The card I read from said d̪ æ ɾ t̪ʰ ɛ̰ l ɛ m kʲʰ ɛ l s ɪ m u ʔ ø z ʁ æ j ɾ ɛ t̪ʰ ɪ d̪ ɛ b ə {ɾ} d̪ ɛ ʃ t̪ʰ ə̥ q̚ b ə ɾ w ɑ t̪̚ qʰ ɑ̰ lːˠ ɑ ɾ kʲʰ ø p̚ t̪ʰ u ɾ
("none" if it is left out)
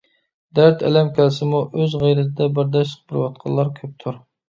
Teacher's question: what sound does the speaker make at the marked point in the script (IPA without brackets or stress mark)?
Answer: ɾ